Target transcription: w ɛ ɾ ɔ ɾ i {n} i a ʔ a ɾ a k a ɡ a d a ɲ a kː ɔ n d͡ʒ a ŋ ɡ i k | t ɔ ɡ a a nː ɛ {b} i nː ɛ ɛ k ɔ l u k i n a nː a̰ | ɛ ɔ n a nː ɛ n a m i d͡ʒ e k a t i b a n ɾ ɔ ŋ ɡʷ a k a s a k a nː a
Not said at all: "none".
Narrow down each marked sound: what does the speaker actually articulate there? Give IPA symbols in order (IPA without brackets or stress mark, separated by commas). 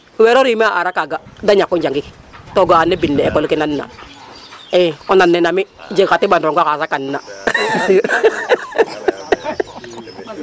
m, b